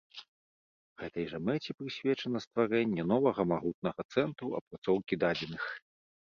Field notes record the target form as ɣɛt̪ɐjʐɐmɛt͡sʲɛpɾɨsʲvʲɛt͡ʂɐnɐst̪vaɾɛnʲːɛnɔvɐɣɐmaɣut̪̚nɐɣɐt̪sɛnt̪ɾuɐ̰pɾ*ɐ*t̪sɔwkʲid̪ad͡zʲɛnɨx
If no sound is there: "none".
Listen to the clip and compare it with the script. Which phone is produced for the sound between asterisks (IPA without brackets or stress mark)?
a